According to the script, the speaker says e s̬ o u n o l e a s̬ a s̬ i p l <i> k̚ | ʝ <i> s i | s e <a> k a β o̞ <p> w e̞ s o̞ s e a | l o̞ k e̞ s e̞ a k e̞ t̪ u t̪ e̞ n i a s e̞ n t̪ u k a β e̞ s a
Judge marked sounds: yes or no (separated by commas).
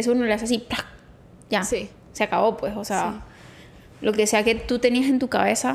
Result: no, no, yes, yes